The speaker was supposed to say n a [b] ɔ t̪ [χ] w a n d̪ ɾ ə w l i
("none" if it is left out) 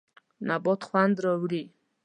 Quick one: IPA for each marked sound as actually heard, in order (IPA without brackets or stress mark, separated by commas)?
b, χ